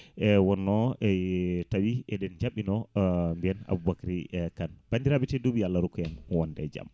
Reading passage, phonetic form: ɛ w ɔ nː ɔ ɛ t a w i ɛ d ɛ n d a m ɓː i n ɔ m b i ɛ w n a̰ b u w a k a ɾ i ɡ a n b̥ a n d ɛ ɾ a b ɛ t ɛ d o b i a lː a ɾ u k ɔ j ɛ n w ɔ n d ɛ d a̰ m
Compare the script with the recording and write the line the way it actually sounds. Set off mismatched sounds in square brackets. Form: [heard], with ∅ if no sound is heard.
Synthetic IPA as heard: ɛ w ɔ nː ɔ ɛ t a w i ɛ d ɛ n [d͡ʒ] a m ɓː i n ɔ m b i ɛ [∅] n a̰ b u [b] a k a ɾ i [k] a n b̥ a n d [i] ɾ a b ɛ t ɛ d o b i a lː a ɾ u k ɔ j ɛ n w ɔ n d ɛ [d͡ʒ] a̰ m